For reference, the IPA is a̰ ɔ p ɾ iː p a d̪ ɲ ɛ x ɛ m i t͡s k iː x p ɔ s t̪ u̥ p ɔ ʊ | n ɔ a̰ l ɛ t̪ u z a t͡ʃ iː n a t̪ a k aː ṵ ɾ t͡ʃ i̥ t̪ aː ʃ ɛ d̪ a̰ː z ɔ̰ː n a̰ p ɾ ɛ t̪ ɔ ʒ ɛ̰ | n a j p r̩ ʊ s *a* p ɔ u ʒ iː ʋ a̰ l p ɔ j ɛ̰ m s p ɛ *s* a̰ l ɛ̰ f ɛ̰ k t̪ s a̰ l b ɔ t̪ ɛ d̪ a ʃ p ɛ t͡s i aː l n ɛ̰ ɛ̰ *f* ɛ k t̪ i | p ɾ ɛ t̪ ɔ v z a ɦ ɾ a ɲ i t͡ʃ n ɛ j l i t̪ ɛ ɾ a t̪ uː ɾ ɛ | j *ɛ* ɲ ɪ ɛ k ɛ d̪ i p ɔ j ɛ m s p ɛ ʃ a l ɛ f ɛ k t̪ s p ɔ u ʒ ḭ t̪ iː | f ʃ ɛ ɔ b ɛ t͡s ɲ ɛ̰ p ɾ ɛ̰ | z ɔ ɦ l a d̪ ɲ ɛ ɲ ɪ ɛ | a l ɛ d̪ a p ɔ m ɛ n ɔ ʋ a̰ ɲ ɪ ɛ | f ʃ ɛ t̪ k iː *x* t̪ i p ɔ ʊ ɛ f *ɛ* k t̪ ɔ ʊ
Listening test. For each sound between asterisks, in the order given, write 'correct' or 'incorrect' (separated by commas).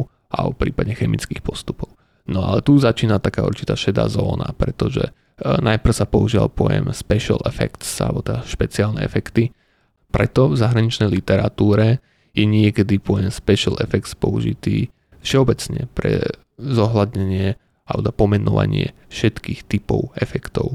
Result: correct, incorrect, correct, correct, correct, correct